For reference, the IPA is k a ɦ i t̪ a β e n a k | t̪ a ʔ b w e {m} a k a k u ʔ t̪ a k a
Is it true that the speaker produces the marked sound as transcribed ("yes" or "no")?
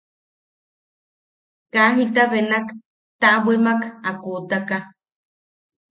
yes